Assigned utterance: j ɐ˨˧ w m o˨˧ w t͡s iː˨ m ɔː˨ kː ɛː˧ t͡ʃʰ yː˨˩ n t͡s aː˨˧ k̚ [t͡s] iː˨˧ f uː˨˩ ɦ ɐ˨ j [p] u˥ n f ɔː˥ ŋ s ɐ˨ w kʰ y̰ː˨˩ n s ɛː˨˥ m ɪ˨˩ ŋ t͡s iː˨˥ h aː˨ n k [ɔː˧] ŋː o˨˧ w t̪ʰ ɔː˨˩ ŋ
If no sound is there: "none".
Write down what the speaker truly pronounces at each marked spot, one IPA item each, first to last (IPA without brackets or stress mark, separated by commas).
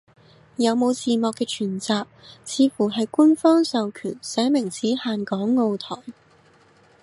t͡sʰ, k, ɔː˨˥